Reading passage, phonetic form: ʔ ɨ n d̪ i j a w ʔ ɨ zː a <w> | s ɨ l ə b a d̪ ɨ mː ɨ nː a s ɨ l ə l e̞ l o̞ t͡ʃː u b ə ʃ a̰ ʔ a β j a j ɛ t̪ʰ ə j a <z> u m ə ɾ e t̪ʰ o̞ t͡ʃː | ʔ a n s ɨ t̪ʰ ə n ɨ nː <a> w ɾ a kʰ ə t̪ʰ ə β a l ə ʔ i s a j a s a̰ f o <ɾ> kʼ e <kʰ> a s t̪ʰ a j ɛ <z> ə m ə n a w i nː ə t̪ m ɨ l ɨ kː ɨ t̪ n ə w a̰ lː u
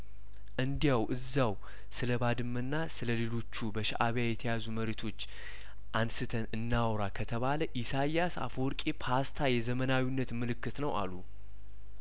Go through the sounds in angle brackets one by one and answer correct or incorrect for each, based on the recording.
correct, correct, correct, correct, incorrect, correct

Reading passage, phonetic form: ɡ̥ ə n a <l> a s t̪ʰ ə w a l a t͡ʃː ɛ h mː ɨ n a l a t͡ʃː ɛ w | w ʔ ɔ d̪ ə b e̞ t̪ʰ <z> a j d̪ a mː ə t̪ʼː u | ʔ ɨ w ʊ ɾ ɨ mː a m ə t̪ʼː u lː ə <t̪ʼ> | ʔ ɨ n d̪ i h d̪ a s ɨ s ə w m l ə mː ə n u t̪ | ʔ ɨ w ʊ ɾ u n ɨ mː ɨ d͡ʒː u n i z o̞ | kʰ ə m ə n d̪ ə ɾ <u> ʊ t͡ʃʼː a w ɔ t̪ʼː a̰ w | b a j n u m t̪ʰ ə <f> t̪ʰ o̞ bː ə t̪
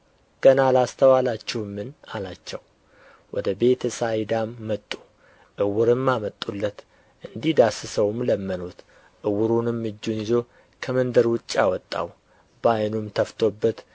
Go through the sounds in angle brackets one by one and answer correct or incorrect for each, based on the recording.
correct, incorrect, incorrect, incorrect, correct

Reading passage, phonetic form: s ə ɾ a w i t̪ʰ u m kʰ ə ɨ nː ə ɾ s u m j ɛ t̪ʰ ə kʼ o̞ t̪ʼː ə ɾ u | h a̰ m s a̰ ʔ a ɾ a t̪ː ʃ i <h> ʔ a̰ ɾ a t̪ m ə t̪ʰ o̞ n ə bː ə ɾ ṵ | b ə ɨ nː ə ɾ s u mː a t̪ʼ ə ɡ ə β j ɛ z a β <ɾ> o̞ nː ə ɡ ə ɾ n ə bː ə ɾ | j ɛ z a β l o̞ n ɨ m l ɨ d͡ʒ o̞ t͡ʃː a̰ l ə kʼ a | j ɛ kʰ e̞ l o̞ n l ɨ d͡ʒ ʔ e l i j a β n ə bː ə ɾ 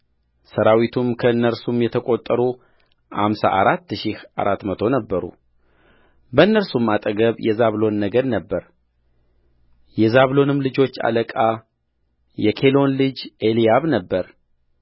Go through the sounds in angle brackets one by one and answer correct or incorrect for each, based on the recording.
correct, incorrect

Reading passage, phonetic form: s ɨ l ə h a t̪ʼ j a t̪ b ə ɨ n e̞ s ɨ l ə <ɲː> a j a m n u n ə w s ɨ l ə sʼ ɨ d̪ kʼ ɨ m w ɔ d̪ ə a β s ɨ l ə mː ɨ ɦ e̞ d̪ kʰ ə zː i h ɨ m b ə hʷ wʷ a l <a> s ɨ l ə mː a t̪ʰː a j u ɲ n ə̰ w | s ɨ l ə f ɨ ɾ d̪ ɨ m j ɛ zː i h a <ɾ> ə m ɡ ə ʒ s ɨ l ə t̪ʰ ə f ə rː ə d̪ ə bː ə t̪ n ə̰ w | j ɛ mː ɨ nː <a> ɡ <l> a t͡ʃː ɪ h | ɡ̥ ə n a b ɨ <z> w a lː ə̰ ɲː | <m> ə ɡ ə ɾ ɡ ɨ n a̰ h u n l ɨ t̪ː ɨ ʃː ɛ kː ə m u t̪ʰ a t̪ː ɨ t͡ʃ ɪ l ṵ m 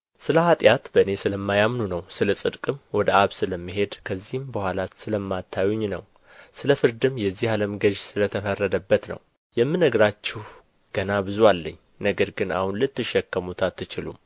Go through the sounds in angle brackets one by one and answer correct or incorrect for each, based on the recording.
incorrect, correct, incorrect, incorrect, incorrect, correct, incorrect

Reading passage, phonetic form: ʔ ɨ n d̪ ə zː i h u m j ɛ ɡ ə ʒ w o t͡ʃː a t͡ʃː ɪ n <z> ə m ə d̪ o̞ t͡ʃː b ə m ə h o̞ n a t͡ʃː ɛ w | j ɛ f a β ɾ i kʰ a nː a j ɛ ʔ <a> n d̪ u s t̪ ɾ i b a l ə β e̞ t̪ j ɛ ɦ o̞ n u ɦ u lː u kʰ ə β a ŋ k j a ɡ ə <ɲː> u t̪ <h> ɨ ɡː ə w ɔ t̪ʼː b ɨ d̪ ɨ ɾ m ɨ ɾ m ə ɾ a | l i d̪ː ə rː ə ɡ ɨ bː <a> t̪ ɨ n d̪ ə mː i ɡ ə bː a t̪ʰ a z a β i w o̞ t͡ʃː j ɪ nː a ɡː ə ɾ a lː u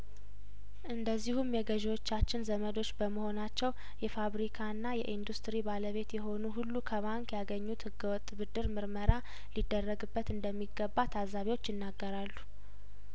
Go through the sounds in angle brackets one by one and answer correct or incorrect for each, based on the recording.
correct, incorrect, correct, correct, incorrect

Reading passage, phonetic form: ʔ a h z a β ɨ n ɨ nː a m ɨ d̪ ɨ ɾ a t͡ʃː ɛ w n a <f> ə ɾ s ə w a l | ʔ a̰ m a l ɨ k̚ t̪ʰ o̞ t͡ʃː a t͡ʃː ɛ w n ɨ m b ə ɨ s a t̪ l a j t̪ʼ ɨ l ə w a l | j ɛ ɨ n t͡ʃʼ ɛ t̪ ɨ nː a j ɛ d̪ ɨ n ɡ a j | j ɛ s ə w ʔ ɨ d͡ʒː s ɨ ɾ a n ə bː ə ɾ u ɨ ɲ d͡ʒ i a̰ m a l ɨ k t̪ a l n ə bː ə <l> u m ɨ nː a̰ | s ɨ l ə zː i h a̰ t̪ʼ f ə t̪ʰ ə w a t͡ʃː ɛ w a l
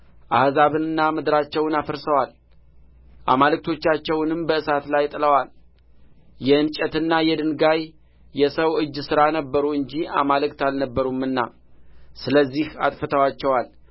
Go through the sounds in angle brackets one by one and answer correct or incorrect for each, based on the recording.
correct, incorrect

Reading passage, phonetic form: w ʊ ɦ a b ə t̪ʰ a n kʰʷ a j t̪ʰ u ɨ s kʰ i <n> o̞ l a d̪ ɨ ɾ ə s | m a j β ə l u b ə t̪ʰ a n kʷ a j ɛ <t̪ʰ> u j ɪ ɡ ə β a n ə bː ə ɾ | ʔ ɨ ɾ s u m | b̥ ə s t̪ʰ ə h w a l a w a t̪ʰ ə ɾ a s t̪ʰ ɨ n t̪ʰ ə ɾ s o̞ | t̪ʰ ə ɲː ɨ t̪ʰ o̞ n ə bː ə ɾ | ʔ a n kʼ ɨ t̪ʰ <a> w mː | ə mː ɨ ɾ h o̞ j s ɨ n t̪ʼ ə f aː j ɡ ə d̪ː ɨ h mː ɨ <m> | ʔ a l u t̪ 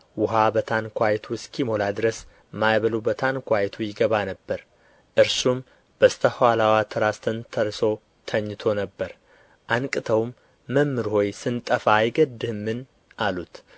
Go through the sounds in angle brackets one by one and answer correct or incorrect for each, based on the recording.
incorrect, correct, incorrect, incorrect

